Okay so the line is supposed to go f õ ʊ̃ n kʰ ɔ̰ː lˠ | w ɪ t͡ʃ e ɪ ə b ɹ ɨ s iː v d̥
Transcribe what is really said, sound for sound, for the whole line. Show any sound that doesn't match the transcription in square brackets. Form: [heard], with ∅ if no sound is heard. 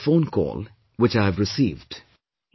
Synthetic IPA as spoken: f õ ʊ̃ n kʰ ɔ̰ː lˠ | w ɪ t͡ʃ [a] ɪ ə [v] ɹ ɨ s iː v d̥